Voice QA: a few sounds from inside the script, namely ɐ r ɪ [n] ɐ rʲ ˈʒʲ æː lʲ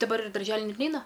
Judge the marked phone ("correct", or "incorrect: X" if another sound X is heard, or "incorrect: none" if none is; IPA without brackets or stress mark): incorrect: d